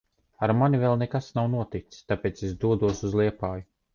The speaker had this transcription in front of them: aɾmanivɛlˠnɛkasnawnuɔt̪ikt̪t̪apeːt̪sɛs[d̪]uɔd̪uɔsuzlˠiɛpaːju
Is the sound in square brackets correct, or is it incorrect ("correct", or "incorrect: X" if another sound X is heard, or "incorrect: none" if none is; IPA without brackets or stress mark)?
correct